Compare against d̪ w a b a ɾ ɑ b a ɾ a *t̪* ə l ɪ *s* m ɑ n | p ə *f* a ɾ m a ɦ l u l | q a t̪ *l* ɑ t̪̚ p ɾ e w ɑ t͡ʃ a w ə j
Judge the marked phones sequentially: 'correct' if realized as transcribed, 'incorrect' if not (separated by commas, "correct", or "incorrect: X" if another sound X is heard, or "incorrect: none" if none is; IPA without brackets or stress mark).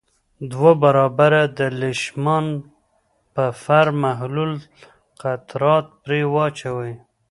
incorrect: d̪, incorrect: ʃ, correct, incorrect: ɾ